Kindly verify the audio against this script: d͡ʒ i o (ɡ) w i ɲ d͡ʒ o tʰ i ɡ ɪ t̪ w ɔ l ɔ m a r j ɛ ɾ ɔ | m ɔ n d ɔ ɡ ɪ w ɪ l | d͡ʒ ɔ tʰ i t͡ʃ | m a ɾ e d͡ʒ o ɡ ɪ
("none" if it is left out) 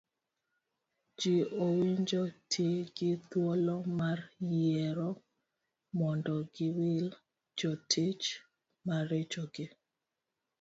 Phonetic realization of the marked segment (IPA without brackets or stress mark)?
none